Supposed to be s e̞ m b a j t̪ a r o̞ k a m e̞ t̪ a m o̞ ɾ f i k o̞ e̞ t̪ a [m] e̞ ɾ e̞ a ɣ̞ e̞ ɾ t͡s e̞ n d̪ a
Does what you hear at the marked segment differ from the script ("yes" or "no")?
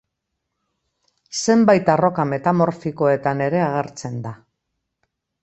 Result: yes